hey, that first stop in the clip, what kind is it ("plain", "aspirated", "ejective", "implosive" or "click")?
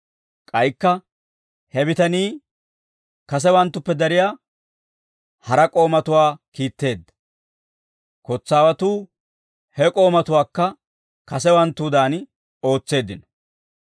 ejective